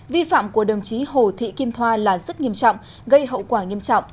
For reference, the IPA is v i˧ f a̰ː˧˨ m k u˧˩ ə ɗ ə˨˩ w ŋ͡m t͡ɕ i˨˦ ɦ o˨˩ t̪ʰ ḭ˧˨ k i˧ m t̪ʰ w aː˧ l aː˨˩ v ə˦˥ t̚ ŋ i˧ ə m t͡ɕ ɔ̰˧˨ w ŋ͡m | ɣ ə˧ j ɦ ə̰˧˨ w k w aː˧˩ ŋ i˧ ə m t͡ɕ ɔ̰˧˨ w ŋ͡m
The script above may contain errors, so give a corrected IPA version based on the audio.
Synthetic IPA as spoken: v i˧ f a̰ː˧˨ m k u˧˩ ə ɗ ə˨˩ w ŋ͡m t͡ɕ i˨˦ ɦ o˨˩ t̪ʰ ḭ˧˨ k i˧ m t̪ʰ w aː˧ l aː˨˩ z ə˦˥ t̚ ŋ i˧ ə m t͡ɕ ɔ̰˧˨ w ŋ͡m | ɣ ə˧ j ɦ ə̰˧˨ w k w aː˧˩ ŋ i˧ ə m t͡ɕ ɔ̰˧˨ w ŋ͡m